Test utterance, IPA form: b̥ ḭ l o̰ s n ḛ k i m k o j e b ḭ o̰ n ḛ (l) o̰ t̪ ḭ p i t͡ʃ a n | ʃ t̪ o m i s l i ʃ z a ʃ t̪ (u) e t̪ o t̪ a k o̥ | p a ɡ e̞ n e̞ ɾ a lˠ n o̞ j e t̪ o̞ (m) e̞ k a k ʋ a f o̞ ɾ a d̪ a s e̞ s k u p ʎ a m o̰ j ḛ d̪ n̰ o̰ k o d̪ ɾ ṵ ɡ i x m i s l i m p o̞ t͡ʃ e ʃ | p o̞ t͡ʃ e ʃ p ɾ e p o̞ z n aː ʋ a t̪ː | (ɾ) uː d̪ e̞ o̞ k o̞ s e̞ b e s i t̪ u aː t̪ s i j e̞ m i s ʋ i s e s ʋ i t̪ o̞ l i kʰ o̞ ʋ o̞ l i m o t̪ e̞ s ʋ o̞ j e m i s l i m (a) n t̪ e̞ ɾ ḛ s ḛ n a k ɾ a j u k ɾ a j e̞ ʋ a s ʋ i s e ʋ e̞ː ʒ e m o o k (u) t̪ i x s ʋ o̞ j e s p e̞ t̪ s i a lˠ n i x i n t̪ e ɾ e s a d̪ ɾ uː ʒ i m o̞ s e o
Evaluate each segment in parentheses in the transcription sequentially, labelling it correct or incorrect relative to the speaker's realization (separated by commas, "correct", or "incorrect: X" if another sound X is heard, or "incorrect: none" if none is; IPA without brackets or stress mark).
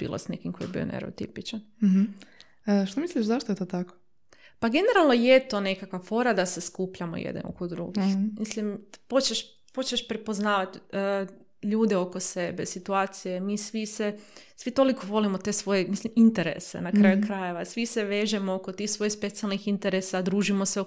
incorrect: ɾ, incorrect: o, incorrect: n, incorrect: ʎ, incorrect: i, incorrect: o